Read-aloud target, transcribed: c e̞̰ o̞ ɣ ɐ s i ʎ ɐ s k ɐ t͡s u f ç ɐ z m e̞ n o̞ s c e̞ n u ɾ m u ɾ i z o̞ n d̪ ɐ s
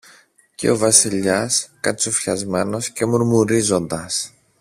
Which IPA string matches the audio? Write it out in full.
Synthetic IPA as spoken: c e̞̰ o̞ v ɐ s i ʎ ɐ s k ɐ t͡s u f ç ɐ z m e̞ n o̞ s c e̞ m u ɾ m u ɾ i z o̞ n d̪ ɐ s